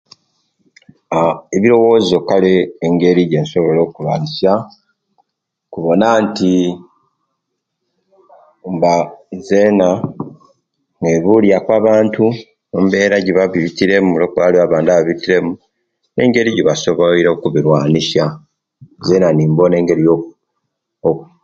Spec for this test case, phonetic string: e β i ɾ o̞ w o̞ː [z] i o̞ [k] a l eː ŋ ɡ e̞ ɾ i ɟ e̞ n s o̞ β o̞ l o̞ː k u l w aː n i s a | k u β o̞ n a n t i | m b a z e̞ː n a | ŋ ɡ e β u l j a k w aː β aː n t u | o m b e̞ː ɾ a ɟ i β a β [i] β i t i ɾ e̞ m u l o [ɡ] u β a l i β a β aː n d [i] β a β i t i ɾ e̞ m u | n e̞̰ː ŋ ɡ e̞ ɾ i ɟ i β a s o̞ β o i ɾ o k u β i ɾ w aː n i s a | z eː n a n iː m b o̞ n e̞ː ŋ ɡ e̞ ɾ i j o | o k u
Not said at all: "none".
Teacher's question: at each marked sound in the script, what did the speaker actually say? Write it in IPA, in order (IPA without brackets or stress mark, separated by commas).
z, k, i, k, a